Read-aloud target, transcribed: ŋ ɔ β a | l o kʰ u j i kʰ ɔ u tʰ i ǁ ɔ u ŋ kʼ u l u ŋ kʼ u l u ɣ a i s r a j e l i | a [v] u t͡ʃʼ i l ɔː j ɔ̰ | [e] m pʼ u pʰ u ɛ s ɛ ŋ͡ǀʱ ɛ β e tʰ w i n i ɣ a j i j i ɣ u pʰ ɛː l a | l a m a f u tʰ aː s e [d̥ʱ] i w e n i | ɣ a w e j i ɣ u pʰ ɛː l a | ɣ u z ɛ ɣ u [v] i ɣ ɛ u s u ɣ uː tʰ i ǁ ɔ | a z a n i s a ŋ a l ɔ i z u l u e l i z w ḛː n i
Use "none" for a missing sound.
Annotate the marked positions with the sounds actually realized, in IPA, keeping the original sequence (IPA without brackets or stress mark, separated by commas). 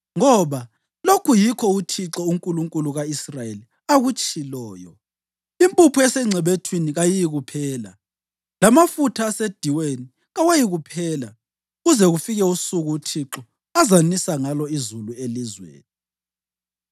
ɣ, i, d̥ʱ, f